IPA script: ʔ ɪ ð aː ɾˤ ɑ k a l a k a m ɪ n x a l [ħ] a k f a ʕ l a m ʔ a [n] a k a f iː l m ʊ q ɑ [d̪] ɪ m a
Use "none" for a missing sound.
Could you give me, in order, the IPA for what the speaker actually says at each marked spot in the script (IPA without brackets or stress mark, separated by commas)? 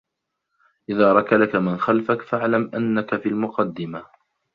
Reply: f, nː, d̪ː